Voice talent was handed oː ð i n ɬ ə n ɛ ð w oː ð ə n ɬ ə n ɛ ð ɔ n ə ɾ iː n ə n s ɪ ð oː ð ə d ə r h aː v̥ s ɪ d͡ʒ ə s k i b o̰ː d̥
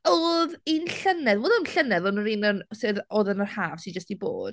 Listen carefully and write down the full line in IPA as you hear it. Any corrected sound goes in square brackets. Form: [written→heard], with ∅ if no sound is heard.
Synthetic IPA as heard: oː ð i n ɬ ə n ɛ ð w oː ð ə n ɬ ə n ɛ ð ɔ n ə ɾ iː n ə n s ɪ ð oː ð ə [d→n] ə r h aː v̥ s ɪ d͡ʒ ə s [k→t] i b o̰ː d̥